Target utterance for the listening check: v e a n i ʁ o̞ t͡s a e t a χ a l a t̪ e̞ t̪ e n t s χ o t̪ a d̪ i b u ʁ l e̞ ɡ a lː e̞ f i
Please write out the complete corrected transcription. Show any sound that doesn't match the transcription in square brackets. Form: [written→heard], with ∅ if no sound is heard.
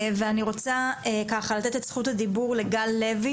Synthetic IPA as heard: v e a n i ʁ o̞ t͡s a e [t→k] a χ a l a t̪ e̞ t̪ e [n→∅] t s χ [o→u] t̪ a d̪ i b u ʁ l e̞ ɡ a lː e̞ [f→v] i